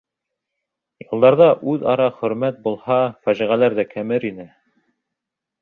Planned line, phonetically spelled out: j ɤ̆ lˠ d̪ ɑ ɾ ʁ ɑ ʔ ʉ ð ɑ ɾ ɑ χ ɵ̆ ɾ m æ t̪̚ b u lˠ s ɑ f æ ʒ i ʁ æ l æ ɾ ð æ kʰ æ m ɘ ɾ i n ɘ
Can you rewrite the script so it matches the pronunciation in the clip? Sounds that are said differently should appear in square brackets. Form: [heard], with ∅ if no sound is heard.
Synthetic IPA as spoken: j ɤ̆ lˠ d̪ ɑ ɾ [ð] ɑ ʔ ʉ ð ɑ ɾ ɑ χ ɵ̆ ɾ m æ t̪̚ b u lˠ [h] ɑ f æ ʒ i ʁ æ l æ ɾ ð æ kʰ æ m ɘ ɾ i n ɘ